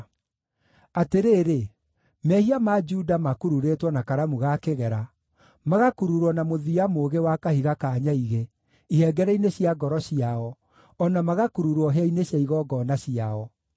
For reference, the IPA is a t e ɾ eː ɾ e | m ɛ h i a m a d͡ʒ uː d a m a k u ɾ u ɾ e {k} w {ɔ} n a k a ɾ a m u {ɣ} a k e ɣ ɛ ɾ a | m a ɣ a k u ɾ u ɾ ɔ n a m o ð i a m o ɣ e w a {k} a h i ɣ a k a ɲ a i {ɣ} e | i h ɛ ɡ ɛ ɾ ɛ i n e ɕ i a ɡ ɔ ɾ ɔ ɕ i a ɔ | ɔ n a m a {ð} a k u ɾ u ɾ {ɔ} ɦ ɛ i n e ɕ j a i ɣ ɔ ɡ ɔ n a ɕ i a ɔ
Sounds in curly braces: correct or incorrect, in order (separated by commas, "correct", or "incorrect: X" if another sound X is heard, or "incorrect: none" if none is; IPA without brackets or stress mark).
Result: incorrect: t, correct, correct, correct, correct, incorrect: ɣ, correct